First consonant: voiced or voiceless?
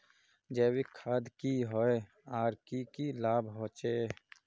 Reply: voiced